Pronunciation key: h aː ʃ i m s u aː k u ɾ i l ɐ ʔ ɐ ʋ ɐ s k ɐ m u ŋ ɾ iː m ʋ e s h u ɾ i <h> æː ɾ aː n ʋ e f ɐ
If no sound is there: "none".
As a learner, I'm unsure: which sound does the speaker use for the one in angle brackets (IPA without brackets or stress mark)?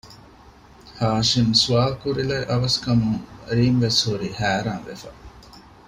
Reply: h